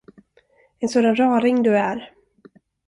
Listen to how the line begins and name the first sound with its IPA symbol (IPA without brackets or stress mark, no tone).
ɛ